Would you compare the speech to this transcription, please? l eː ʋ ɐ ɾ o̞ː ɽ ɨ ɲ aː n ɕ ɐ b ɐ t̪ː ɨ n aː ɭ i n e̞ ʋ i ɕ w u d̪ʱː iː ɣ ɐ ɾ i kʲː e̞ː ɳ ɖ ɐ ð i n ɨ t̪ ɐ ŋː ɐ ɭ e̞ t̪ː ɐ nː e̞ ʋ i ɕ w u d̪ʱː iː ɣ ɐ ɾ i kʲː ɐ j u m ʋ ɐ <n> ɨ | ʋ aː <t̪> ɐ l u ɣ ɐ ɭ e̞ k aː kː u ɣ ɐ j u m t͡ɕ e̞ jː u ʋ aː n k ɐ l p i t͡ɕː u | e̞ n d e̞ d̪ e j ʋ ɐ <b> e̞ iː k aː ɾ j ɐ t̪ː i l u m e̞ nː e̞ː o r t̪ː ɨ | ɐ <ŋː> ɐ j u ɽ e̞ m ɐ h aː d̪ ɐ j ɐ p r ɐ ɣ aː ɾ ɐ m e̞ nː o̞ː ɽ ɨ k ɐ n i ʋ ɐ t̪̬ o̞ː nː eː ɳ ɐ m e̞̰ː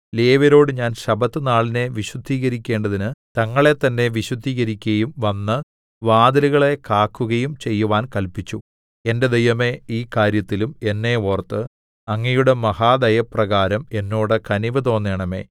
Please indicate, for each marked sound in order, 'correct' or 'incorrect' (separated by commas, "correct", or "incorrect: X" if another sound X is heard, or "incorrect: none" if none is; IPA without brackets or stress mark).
incorrect: nː, incorrect: d̪, incorrect: m, correct